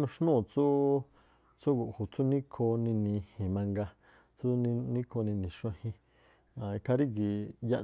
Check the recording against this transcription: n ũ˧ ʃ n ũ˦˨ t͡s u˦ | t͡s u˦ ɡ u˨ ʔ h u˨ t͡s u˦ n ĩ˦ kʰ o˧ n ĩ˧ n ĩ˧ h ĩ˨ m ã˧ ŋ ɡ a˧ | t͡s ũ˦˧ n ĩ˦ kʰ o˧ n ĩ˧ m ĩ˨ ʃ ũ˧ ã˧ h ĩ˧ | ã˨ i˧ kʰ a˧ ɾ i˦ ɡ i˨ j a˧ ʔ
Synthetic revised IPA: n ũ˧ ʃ n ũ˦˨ t͡s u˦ | t͡s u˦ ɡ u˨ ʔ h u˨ t͡s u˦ n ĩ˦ kʰ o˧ n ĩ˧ n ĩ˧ h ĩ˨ m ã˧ ŋ ɡ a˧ | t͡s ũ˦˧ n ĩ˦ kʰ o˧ n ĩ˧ n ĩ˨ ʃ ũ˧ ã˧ h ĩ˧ | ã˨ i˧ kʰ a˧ ɾ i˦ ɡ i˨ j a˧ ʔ